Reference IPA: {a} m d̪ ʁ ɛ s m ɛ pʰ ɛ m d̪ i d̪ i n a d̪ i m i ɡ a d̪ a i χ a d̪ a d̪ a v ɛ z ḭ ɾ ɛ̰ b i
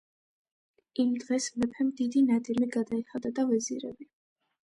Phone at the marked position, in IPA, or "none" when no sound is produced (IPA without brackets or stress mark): i